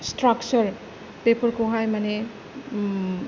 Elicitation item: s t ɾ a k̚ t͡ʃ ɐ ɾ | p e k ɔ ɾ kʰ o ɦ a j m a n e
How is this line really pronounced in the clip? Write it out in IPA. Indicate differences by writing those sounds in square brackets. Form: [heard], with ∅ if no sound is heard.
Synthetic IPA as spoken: s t ɾ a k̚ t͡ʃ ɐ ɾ | p e [p] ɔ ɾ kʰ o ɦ a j m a n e